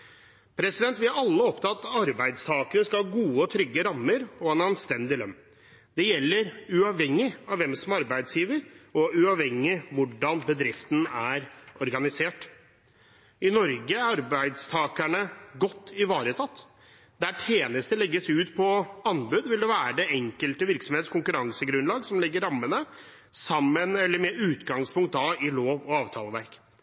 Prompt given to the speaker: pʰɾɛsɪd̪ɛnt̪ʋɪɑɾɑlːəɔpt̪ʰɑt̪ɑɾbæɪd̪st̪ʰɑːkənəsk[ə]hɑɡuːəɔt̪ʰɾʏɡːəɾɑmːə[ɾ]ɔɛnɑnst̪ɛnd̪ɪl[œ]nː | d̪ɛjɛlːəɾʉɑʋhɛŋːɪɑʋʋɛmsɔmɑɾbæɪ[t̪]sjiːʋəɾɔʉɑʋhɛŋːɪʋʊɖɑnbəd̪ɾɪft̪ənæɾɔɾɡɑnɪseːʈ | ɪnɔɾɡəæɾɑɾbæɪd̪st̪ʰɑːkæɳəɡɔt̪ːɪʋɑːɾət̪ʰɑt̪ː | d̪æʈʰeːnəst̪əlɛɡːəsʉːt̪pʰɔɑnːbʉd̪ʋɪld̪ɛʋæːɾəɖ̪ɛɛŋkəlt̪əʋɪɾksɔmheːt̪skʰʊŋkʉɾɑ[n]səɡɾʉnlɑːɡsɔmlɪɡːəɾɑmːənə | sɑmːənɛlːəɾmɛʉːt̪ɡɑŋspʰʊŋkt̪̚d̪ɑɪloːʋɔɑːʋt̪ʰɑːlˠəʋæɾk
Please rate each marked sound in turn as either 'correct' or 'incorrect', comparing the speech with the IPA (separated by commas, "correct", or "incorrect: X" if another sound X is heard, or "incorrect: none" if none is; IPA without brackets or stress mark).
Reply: incorrect: ɑ, correct, correct, incorrect: d̪, incorrect: ŋ